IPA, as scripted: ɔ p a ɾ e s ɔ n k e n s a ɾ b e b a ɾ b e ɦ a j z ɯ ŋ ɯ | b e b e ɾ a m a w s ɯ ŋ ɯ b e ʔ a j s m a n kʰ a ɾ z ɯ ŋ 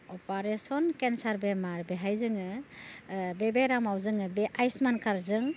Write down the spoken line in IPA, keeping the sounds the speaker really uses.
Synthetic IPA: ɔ p a ɾ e s ɔ n k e n s a ɾ b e m a ɾ b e ɦ a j z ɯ ŋ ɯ | b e b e ɾ a m a w z ɯ ŋ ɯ b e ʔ a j s m a n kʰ a ɾ z ɯ ŋ

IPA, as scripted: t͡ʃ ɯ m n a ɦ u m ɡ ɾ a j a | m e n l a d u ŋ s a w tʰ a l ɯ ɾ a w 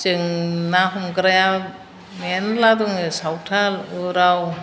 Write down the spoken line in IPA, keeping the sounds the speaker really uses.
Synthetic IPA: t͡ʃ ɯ ŋ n a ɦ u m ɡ ɾ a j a | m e n l a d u ŋ s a w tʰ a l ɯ ɾ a w

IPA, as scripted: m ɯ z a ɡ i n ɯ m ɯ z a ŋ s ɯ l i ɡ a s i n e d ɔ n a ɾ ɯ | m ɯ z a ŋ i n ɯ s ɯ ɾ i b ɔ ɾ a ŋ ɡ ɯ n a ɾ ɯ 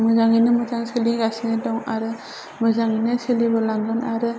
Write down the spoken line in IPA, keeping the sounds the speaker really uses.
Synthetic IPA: m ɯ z a ŋ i n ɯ m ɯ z a ŋ s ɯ l i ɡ a s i n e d ɔ ŋ a ɾ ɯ | m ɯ z a ŋ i n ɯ s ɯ l i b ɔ l a ŋ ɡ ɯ n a ɾ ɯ

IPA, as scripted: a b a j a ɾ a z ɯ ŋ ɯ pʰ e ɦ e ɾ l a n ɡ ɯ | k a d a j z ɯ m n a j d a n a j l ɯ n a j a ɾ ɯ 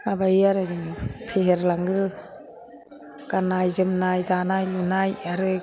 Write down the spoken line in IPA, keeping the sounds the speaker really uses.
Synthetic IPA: a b a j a ɾ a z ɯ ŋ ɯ pʰ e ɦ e ɾ l a ŋ ɡ ɯ | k a n a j z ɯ m n a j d a n a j l u n a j a ɾ ɯ

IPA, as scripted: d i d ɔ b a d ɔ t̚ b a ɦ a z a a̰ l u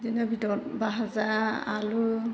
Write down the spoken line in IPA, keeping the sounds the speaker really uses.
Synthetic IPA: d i n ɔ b i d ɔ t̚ b a ɦ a z a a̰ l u

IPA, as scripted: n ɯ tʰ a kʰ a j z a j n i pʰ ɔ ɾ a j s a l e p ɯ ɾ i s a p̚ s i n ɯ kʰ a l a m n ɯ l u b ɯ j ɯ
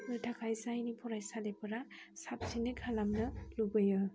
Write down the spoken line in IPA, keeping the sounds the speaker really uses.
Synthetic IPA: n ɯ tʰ a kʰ a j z a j n i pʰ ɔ ɾ a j s a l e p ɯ ɾ a s a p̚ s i n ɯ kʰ a l a m n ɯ l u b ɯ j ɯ

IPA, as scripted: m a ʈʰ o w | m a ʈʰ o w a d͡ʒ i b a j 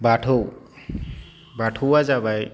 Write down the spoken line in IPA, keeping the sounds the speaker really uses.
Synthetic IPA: b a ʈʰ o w | b a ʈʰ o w a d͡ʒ a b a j

